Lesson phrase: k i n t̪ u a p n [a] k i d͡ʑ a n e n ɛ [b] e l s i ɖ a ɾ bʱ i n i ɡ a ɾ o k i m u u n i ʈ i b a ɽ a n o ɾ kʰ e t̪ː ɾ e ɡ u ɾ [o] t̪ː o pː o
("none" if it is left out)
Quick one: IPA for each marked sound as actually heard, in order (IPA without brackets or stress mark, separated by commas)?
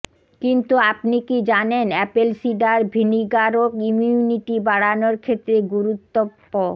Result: i, p, u